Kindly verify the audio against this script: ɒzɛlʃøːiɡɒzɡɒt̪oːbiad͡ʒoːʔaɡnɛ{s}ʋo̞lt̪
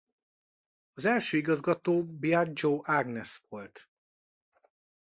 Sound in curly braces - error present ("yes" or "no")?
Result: no